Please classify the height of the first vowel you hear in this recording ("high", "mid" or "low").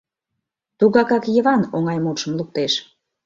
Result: high